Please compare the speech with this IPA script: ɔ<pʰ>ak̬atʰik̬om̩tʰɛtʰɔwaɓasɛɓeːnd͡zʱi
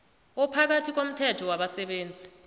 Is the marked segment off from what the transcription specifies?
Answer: no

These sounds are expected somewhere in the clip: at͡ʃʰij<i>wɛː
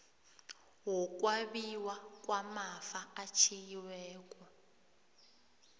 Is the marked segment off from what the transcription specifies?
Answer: no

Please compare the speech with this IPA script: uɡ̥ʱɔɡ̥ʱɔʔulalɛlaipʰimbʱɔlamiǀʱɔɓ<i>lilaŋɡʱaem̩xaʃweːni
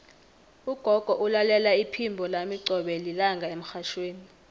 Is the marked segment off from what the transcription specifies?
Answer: yes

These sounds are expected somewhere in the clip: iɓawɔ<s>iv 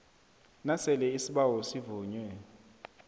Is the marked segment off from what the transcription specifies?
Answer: no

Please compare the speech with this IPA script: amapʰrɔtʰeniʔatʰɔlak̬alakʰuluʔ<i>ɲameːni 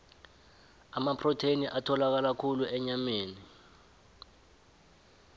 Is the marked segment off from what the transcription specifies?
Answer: yes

